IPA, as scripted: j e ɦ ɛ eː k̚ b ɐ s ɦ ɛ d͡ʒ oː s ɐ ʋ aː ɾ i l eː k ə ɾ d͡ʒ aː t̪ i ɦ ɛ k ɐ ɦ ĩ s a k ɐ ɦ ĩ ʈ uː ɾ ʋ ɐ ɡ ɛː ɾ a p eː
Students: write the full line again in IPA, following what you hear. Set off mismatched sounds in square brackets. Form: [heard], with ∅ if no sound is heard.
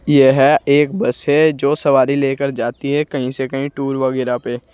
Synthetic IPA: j e ɦ ɛ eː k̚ b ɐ s ɦ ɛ d͡ʒ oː s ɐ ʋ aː ɾ i l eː k ə ɾ d͡ʒ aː t̪ i ɦ ɛ k ɐ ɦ ĩ s [e] k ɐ ɦ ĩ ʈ uː ɾ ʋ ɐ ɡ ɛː ɾ a p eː

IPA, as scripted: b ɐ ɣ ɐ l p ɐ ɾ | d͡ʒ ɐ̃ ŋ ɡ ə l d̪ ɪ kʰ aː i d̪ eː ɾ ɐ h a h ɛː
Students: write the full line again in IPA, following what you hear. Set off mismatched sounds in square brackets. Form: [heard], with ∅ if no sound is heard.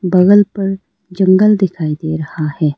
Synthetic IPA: b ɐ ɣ [ə] l p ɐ ɾ | d͡ʒ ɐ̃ ŋ ɡ ə l d̪ ɪ kʰ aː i d̪ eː ɾ ɐ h a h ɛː

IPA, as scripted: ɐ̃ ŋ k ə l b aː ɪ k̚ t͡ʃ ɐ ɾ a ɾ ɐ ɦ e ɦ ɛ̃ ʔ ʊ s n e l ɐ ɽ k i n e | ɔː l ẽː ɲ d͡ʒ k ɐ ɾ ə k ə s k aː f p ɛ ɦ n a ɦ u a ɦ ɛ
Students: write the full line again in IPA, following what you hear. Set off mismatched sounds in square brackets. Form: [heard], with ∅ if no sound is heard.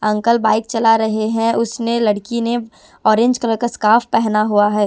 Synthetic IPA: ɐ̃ ŋ k ə l b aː ɪ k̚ t͡ʃ ɐ [l] a ɾ ɐ ɦ e ɦ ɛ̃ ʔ ʊ s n e l ɐ ɽ k i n e | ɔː [ɾ] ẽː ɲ d͡ʒ k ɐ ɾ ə k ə s k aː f p ɛ ɦ n a ɦ u a ɦ [ɛː]

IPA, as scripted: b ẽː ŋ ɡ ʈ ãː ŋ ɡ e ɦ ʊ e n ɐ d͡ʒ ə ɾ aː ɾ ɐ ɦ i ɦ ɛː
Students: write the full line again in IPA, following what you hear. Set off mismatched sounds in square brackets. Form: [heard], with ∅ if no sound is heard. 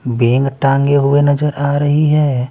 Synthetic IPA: b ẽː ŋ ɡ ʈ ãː ŋ ɡ e ɦ ʊ e n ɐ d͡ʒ ə ɾ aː ɾ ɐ ɦ i ɦ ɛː

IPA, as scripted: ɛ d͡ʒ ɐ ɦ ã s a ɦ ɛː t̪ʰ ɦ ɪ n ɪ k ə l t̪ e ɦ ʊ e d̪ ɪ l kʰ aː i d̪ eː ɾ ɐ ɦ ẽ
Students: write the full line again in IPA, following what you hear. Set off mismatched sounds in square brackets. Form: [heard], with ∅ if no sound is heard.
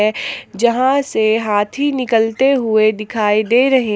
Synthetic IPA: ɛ d͡ʒ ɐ ɦ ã s [e] ɦ [aː] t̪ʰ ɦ [i] n ɪ k ə l t̪ e ɦ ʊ e d̪ ɪ [∅] kʰ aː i d̪ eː ɾ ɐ ɦ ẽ

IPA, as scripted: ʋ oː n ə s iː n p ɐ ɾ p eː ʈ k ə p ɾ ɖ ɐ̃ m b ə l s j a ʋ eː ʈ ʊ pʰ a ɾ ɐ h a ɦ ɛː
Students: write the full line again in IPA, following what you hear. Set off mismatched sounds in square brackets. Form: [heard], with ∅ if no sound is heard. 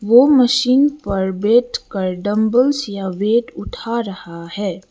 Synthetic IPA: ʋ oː [m] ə [ʃ] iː n p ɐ ɾ [b] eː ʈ k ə [∅] ɾ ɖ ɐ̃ m b ə l s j a ʋ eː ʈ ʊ [ʈʰ] a ɾ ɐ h a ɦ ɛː

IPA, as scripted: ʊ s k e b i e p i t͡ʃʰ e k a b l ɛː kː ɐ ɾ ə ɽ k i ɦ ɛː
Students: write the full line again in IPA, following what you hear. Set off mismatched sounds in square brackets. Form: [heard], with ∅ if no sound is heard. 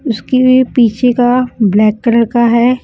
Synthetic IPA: ʊ s k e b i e p [iː] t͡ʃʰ e k a b l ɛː kː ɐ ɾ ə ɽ k [a] ɦ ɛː

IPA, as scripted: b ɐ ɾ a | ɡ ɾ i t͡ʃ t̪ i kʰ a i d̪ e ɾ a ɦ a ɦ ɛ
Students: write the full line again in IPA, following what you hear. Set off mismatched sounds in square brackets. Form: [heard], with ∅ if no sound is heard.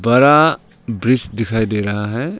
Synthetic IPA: b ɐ ɾ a | [b] ɾ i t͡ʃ [d̪] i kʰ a [j] d̪ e ɾ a ɦ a ɦ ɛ

